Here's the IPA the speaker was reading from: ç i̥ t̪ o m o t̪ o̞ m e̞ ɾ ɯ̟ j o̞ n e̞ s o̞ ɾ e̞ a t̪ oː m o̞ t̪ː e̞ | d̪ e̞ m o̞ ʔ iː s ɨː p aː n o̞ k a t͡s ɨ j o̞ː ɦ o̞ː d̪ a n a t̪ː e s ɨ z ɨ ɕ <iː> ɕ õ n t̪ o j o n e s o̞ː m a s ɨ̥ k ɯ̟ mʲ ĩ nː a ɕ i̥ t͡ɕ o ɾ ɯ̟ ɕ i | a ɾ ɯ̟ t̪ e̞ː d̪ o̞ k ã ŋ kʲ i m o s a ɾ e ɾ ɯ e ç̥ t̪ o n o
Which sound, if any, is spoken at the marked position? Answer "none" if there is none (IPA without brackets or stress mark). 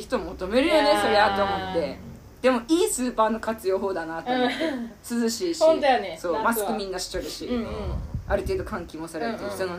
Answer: iː